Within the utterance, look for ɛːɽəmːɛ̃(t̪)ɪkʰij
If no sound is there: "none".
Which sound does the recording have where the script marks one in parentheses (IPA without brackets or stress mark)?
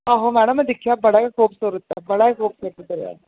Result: d̪